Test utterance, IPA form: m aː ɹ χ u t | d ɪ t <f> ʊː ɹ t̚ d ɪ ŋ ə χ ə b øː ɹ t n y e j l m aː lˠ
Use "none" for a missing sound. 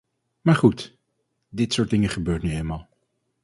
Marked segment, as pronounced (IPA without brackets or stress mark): s